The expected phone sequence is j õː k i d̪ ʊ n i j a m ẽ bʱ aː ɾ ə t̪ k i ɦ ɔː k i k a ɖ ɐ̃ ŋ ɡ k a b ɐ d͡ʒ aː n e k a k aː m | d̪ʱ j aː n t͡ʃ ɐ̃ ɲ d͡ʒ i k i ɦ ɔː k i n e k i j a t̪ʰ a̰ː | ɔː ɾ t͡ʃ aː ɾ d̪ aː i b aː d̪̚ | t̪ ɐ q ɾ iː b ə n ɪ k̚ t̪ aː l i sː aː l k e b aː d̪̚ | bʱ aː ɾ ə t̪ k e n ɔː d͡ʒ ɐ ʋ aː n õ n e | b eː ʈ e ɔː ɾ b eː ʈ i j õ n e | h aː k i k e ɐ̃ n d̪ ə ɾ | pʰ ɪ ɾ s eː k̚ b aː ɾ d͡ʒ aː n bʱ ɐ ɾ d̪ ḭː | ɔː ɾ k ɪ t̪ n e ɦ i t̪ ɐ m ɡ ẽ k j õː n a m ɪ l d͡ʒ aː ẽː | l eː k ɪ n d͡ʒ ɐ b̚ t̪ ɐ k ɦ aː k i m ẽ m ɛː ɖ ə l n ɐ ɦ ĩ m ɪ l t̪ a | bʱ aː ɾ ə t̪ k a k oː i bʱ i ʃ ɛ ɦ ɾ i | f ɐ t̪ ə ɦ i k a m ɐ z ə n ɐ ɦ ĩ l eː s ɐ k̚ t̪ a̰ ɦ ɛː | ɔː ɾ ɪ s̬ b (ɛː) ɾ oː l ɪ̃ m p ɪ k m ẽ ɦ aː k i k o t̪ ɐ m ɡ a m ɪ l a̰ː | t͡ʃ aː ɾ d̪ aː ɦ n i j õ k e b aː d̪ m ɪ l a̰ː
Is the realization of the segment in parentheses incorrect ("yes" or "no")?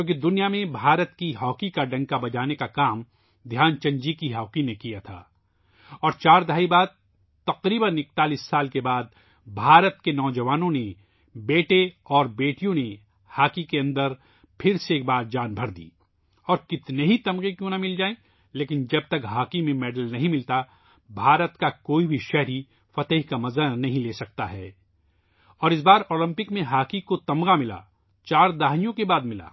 yes